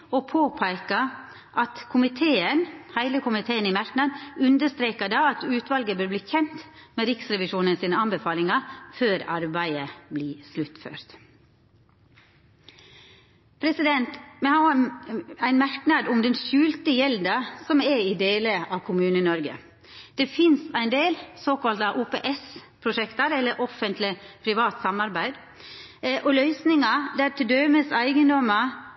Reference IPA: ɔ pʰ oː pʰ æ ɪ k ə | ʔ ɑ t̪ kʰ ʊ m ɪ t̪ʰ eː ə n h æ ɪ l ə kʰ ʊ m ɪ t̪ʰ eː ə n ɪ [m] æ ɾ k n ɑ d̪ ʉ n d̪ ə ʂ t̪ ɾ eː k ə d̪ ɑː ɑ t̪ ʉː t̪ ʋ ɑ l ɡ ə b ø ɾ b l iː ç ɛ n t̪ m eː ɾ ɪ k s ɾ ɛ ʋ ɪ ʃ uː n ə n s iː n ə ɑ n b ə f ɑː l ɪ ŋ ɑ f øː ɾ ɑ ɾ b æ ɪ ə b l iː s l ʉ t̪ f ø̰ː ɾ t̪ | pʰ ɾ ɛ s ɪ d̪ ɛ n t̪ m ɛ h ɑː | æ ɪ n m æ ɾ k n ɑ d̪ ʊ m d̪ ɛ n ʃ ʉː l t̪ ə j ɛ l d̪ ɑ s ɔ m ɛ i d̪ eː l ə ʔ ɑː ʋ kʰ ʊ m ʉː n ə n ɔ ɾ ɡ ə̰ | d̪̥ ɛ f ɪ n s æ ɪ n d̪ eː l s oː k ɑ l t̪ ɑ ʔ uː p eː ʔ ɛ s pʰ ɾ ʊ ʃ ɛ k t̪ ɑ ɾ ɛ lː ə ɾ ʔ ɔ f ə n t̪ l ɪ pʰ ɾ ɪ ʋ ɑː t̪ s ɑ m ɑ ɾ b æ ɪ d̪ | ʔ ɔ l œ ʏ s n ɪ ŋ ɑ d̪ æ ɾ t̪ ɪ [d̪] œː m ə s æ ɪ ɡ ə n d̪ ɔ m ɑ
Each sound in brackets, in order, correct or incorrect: correct, correct

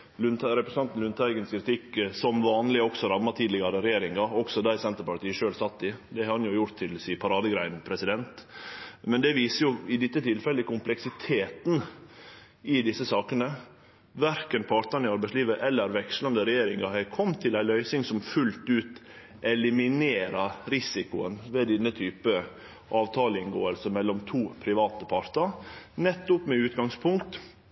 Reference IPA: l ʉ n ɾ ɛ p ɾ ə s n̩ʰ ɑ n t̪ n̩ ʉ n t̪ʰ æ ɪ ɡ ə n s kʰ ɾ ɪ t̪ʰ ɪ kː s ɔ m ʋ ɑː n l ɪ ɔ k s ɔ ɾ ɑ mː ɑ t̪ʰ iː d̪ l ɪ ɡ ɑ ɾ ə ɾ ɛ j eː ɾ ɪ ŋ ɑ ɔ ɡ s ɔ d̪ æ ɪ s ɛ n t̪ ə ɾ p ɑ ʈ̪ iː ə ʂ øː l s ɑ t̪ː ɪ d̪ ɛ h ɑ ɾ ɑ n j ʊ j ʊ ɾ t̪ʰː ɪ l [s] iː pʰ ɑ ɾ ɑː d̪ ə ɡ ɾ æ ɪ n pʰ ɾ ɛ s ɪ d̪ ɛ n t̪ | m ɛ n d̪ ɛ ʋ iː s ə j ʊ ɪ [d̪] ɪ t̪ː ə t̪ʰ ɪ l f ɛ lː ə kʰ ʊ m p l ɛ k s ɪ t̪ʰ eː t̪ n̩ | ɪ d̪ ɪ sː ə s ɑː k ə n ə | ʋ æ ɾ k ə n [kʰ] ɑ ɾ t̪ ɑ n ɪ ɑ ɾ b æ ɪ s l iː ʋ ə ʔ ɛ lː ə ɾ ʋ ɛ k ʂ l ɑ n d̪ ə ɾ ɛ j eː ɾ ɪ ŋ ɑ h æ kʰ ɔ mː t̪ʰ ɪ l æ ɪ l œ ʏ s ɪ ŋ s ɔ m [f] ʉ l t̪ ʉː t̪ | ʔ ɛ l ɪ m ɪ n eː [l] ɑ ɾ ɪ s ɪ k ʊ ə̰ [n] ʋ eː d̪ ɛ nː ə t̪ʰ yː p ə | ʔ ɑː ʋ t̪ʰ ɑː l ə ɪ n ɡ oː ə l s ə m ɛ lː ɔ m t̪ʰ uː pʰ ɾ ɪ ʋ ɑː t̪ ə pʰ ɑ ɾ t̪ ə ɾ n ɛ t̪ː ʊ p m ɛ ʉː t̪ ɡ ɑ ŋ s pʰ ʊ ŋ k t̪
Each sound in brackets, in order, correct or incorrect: correct, correct, incorrect: pʰ, correct, incorrect: ɾ, correct

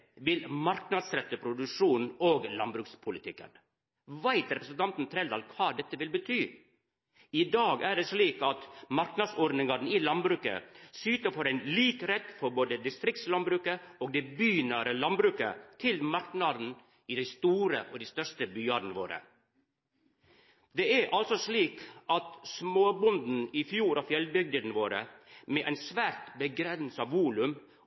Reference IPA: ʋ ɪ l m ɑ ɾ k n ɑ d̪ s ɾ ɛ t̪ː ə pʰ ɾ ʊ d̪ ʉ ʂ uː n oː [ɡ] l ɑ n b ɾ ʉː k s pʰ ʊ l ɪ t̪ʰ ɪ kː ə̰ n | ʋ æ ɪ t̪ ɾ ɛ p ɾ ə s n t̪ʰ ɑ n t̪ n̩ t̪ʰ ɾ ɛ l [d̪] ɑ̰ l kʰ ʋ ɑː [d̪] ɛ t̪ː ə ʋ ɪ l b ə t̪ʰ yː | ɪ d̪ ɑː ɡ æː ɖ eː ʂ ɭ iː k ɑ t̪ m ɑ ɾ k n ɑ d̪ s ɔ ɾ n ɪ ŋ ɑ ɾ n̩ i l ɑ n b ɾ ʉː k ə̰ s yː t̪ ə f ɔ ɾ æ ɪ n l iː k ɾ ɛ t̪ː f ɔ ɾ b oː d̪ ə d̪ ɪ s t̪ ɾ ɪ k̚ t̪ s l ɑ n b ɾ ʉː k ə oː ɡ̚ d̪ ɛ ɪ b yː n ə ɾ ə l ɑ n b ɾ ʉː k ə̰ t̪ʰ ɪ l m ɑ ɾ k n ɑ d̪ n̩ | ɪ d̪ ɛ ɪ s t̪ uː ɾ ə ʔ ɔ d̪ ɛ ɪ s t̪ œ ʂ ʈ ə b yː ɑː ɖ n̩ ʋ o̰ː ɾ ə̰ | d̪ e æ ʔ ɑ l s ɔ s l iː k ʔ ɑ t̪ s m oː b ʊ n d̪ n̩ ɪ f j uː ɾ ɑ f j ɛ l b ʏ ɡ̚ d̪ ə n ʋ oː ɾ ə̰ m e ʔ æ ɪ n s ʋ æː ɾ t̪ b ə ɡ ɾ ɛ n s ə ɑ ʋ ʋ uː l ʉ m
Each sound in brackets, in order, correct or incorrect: correct, correct, correct

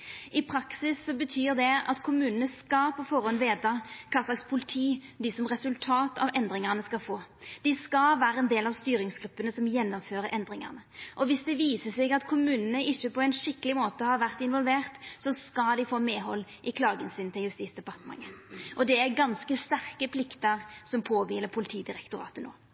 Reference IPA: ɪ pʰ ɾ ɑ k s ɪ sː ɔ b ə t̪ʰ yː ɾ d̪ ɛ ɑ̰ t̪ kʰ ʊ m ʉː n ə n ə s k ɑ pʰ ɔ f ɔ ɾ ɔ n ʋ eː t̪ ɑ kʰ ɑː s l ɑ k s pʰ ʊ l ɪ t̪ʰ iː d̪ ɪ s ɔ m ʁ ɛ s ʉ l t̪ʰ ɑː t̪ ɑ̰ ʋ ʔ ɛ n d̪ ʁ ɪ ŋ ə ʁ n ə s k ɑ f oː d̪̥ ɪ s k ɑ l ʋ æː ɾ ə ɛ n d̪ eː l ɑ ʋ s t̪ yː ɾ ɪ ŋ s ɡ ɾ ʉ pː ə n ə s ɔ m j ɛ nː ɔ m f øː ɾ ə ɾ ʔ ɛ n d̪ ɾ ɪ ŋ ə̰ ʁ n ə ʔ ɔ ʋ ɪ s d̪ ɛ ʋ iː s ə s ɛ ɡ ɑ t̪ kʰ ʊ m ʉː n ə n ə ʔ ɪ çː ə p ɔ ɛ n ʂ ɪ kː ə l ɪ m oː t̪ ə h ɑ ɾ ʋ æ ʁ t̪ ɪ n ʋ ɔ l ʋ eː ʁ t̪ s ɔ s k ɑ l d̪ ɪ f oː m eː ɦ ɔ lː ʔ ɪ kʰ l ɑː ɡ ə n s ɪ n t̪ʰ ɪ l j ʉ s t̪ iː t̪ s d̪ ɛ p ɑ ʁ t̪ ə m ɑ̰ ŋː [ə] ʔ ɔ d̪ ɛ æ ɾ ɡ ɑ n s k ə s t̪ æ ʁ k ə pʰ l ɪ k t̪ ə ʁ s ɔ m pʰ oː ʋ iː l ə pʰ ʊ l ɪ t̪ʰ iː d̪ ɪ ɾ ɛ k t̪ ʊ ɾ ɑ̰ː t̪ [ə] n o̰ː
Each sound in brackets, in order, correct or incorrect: correct, correct

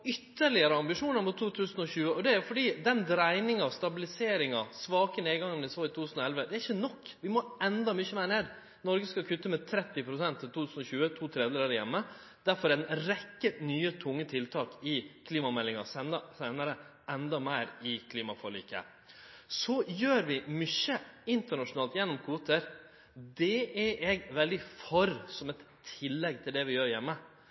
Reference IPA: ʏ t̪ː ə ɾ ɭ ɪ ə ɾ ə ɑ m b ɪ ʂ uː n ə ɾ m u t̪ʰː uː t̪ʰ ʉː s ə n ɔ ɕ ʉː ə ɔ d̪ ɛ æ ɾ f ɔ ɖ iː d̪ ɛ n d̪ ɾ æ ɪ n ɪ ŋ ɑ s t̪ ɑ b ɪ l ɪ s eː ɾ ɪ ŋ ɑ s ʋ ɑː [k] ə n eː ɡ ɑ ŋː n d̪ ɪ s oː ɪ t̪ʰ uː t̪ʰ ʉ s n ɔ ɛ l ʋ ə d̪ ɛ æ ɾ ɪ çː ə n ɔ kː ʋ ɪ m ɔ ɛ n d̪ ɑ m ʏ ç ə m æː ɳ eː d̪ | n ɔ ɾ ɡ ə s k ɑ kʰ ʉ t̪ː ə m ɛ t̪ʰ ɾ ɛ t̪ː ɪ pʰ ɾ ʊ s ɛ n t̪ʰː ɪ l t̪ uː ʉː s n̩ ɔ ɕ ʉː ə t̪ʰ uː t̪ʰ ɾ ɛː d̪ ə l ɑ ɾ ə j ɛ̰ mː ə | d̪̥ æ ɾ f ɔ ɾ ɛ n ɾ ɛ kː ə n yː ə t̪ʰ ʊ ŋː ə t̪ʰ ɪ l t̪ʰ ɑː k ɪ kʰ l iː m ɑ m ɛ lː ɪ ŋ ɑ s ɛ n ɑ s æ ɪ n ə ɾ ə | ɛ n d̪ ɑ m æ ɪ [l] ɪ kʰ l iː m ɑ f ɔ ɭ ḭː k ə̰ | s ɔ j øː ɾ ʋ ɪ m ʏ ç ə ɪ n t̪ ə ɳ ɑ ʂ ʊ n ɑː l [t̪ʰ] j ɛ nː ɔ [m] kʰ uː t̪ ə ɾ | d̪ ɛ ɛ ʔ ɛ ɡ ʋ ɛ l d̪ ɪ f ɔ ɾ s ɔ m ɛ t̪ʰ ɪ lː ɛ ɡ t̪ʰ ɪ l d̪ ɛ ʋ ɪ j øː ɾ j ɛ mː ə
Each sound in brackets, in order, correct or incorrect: correct, incorrect: ɾ, incorrect: t̪, correct

